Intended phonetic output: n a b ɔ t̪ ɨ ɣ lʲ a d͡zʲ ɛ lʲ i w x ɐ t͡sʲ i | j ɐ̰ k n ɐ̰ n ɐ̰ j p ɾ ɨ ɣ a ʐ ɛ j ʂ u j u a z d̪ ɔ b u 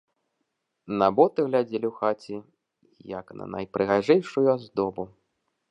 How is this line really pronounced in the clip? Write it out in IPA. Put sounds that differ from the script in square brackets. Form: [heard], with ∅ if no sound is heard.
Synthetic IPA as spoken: n a b ɔ t̪ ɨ ɣ lʲ a d͡zʲ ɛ lʲ i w x [a] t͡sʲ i | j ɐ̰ k n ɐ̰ n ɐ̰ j p ɾ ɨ ɣ a ʐ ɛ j ʂ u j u a z d̪ ɔ b u